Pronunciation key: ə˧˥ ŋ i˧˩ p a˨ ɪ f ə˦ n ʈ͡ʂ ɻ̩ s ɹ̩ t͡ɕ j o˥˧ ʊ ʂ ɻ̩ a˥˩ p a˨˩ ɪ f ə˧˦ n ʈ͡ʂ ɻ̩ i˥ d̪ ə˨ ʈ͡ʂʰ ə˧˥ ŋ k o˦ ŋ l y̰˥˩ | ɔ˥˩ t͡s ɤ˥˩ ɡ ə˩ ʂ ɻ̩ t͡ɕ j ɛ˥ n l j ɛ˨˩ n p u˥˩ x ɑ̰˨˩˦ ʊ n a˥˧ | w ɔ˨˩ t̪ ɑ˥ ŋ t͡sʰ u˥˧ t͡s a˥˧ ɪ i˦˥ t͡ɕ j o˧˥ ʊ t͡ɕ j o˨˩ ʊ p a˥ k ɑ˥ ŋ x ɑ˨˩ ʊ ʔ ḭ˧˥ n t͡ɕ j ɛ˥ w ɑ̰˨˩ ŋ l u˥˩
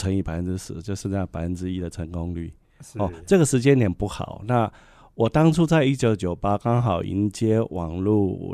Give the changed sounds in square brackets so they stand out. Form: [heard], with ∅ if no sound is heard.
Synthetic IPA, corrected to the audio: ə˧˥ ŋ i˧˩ p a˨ ɪ f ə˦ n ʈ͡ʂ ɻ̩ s ɹ̩ t͡ɕ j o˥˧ ʊ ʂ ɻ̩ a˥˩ p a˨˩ ɪ f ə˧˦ n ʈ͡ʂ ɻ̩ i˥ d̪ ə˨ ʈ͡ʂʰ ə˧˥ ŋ k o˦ ŋ l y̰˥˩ | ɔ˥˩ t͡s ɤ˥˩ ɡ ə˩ ʂ ɻ̩ t͡ɕ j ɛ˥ n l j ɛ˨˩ n p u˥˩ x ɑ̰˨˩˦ ʊ n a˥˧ | w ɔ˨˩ t̪ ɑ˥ ŋ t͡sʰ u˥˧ t͡s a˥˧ ɪ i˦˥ t͡ɕ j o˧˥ ʊ t͡ɕ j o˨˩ ʊ p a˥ k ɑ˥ ŋ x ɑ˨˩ ʊ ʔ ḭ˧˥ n t͡ɕ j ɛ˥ w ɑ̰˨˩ ŋ l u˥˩